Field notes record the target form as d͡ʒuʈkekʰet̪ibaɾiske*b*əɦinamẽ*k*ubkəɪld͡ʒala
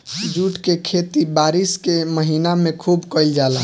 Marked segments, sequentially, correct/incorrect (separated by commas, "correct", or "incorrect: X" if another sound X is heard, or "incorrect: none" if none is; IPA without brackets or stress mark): incorrect: m, incorrect: kʰ